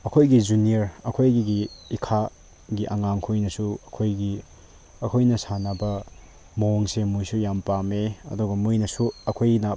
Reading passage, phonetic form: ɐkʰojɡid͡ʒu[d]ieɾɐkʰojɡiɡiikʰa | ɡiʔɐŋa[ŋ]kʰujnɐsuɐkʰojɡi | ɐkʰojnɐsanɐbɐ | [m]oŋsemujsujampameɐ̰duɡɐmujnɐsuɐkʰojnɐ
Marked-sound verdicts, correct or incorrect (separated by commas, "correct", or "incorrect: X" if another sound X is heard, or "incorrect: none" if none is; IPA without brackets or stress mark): incorrect: n, correct, correct